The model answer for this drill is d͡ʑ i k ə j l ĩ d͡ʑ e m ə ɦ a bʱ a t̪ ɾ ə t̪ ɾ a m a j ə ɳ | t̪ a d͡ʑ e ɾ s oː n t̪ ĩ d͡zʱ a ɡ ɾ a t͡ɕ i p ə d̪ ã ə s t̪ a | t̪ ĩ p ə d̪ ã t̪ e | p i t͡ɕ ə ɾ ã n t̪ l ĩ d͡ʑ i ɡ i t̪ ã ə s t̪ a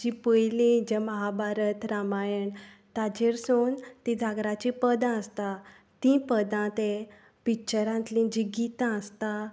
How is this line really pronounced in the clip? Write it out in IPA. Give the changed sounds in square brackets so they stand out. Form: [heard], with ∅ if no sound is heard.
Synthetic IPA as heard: d͡ʑ i [p] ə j l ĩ d͡ʑ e m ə ɦ a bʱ a [∅] ɾ ə t̪ ɾ a m a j ə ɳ | t̪ a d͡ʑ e ɾ s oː n t̪ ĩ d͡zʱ a ɡ ɾ a t͡ɕ i p ə d̪ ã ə s t̪ a | t̪ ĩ p ə d̪ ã t̪ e | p i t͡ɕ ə ɾ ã n t̪ l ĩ d͡ʑ i ɡ i t̪ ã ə s t̪ a